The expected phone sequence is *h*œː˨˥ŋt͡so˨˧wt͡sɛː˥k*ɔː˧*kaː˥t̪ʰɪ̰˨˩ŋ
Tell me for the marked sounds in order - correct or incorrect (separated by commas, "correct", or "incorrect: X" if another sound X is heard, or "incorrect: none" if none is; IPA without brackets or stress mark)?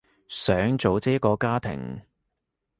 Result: incorrect: s, correct